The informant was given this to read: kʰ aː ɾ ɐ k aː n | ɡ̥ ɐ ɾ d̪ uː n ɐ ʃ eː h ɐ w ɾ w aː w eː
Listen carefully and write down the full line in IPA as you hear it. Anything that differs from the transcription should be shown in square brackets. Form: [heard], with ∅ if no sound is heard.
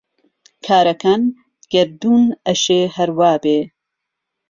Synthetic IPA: kʰ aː ɾ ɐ k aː n | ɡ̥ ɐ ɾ d̪ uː n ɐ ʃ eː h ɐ [∅] ɾ w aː [b] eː